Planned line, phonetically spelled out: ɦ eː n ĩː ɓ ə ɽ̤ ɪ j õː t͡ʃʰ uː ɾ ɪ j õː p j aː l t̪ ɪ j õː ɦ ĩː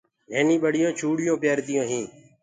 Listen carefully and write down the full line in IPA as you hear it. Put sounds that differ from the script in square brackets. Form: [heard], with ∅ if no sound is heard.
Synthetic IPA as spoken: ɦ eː n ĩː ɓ ə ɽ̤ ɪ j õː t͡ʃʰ uː [ɽ] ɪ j õː p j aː [ɾ] t̪ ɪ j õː ɦ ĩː

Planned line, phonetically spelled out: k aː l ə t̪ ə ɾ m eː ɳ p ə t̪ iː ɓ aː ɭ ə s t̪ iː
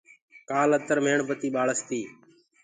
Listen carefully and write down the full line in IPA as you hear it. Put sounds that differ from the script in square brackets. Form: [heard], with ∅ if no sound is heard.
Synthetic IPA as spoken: k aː l ə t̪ ə ɾ m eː ɳ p ə t̪ iː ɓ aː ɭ ə s t̪ iː

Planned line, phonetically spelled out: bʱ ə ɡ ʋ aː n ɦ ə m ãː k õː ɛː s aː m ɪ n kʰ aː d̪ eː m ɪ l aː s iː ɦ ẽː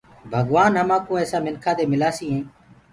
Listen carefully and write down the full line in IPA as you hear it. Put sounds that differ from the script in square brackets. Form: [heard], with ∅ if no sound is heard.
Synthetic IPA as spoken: bʱ ə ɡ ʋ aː n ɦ ə m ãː k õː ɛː s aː m ɪ n kʰ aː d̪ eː m ɪ l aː s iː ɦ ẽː

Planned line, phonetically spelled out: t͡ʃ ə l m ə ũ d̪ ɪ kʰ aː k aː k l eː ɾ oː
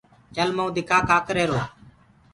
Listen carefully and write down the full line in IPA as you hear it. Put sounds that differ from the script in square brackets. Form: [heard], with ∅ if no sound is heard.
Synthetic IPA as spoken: t͡ʃ ə l m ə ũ d̪ ɪ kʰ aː k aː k [ɾ] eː ɾ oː

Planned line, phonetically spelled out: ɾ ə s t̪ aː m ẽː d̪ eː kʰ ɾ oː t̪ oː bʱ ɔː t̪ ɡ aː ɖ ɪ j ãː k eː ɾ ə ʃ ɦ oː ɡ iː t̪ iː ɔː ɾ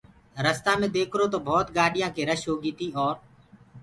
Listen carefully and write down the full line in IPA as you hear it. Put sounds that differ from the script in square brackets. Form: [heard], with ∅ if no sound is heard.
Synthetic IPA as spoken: ɾ ə s t̪ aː m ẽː d̪ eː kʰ ɾ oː t̪ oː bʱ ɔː t̪ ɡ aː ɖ ɪ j ãː k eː ɾ ə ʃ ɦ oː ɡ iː t̪ iː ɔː ɾ

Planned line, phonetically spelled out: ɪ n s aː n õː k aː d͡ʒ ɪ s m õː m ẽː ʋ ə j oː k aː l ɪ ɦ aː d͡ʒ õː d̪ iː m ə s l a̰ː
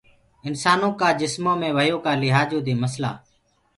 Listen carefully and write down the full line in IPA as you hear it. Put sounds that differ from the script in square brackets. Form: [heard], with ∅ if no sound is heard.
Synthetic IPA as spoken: ɪ n s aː n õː k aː d͡ʒ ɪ s m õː m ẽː ʋ ə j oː k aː l ɪ ɦ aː d͡ʒ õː d̪ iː m ə s l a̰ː

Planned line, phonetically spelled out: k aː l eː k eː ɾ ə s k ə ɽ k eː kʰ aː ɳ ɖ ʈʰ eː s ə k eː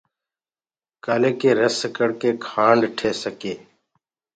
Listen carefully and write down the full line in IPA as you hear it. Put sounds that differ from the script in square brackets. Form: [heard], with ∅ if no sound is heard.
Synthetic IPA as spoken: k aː l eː k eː ɾ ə s k ə ɽ k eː kʰ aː ɳ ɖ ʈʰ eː s ə k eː

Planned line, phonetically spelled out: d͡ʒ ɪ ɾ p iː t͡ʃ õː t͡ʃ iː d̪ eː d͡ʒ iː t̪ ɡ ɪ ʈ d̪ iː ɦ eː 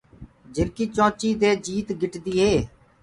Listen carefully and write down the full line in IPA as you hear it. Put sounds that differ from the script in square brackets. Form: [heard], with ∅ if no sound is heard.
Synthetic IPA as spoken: d͡ʒ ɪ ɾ [k] iː t͡ʃ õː t͡ʃ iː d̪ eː d͡ʒ iː t̪ ɡ ɪ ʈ d̪ iː ɦ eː

